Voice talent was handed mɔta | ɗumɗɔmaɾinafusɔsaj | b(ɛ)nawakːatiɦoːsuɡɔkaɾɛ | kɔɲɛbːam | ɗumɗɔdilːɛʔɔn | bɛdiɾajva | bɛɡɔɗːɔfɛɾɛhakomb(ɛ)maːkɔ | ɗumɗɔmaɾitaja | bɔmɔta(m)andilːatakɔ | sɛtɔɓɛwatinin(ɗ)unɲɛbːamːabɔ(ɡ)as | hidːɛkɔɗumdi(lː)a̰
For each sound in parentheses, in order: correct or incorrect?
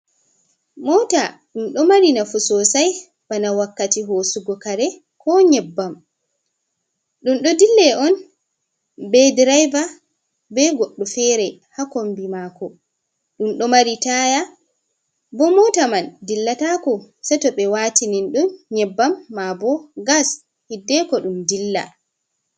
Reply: incorrect, incorrect, correct, correct, correct, correct

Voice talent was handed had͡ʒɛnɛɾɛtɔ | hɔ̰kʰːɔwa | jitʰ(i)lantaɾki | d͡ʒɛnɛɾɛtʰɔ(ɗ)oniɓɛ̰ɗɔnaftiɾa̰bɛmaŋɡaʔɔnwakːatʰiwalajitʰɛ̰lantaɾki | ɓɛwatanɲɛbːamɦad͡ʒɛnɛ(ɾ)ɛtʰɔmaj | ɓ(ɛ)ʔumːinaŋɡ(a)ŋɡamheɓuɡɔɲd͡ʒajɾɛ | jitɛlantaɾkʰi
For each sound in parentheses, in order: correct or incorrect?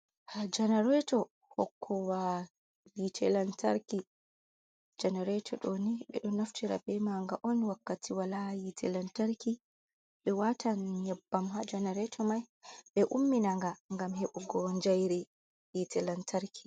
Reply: incorrect, correct, correct, correct, correct

